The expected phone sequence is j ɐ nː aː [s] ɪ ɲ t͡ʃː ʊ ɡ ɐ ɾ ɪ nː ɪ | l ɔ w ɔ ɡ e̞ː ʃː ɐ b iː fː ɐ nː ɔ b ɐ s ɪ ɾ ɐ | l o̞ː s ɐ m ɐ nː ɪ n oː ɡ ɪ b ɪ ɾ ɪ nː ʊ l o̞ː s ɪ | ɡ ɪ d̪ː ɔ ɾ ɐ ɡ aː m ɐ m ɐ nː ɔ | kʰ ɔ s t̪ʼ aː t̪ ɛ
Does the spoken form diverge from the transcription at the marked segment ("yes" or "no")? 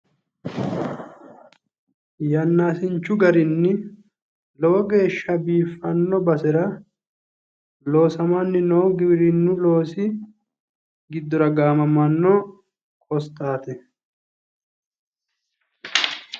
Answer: no